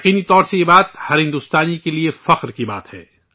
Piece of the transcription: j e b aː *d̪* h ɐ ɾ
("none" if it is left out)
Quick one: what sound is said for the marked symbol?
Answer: t̪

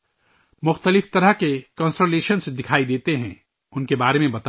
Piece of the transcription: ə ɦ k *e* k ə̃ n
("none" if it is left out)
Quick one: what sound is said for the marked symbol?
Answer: e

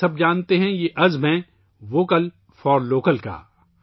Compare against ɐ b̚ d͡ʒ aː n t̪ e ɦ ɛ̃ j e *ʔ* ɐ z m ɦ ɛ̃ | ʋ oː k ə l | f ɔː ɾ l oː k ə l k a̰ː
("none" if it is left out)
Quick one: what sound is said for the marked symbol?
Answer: ʔ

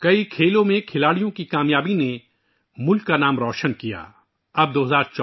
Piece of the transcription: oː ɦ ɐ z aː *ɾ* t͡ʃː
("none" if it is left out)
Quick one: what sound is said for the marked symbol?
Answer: ɾ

